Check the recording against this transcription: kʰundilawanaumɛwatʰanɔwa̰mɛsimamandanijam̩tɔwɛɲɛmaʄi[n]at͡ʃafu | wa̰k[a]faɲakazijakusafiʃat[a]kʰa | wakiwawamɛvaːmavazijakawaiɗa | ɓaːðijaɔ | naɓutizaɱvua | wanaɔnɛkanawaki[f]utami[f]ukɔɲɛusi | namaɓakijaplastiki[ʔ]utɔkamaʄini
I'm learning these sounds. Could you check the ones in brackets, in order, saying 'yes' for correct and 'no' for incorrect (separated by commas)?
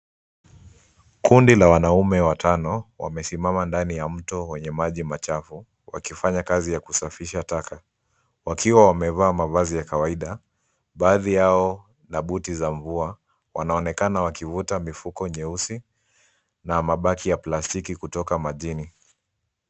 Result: no, no, yes, no, yes, no